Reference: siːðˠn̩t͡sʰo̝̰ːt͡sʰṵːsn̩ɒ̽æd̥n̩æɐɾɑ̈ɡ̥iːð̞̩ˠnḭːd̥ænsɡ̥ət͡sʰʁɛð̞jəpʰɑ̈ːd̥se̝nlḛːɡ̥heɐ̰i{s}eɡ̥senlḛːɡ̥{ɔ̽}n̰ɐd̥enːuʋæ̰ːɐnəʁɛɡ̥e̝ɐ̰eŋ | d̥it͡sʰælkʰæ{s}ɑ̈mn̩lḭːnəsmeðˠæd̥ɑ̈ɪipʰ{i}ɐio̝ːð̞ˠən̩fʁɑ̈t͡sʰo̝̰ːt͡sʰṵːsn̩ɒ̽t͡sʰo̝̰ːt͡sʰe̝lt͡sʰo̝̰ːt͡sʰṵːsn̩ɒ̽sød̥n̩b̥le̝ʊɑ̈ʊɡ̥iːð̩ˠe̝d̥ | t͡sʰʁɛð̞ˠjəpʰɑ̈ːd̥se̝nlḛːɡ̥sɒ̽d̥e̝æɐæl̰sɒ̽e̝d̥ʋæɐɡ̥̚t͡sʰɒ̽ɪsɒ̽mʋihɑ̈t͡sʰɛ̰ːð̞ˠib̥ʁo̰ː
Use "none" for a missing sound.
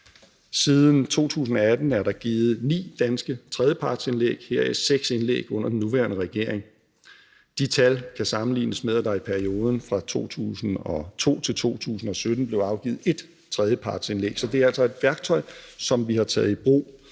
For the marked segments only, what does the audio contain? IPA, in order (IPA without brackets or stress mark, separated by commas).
s, ɔ̽, s, æ